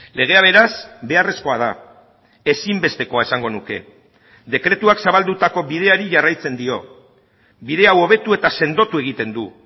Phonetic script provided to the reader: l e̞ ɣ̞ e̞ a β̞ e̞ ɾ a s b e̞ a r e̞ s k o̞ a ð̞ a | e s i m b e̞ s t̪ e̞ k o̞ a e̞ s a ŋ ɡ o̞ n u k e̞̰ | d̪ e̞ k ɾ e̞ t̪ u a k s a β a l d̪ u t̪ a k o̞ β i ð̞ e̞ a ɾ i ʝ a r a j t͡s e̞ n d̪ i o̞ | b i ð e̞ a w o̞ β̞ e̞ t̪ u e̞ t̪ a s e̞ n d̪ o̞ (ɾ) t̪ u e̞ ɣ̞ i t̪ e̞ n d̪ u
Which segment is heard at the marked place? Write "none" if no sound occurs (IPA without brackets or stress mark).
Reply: none